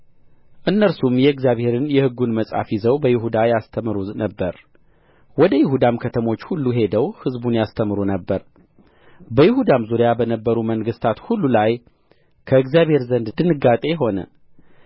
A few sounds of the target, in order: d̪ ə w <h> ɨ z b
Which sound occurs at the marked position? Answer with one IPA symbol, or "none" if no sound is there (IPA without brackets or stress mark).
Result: h